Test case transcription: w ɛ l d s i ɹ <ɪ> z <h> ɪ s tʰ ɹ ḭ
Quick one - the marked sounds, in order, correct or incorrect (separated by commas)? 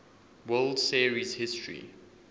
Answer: incorrect, correct